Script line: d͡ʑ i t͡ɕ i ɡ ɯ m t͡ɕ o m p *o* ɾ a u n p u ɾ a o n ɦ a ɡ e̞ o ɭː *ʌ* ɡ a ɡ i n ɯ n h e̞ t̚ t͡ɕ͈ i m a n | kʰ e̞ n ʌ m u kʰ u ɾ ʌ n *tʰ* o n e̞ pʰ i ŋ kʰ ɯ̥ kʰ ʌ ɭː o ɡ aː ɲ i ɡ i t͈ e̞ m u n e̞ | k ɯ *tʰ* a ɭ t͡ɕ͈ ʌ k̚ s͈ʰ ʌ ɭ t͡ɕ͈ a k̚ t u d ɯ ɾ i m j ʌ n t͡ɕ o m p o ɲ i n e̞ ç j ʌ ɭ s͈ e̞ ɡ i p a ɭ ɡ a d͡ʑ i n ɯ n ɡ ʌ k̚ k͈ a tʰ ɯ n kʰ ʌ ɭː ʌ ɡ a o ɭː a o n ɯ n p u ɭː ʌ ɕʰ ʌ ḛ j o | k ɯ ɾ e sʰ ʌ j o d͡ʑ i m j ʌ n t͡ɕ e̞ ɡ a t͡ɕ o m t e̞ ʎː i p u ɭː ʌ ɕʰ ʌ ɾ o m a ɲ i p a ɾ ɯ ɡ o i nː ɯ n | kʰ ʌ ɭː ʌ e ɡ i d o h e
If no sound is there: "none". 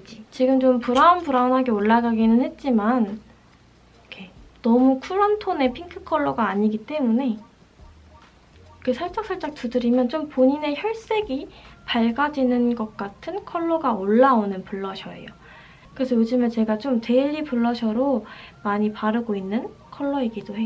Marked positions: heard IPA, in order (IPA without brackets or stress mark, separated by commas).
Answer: u, a, tʰ, sʰ